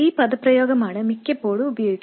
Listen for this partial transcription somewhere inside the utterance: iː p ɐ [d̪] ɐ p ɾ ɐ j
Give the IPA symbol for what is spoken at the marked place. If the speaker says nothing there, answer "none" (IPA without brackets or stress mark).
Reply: d̪